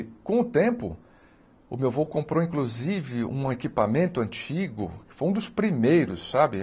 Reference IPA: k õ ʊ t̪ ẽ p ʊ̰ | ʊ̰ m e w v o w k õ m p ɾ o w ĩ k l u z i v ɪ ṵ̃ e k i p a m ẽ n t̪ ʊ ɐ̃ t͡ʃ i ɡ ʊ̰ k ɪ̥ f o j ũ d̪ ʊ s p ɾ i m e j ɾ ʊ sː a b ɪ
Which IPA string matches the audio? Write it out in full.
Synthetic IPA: k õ ʊ t̪ ẽ p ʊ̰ | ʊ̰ m e w v o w k õ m p ɾ o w ĩ k l u z i v ɪ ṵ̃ e k i p a m ẽ n t̪ ʊ ɐ̃ t͡ʃ i ɡ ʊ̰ k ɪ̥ f o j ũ d̪ ʊ s p ɾ i m e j ɾ ʊ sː a b ɪ